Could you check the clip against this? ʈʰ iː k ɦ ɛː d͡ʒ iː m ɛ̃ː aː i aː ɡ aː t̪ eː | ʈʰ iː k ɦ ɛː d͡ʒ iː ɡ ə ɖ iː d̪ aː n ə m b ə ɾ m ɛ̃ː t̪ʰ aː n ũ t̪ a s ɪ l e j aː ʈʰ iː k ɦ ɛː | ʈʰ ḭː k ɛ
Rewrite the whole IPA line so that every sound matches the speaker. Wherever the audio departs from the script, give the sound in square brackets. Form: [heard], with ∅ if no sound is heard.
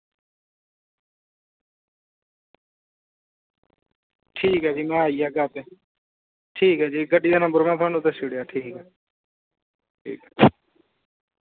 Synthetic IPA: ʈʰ iː k ɦ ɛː d͡ʒ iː m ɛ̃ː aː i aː ɡ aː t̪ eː | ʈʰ iː k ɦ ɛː d͡ʒ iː ɡ ə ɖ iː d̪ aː n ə m b ə ɾ m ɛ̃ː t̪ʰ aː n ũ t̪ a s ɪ [ɽ] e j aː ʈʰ iː k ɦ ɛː | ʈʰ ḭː k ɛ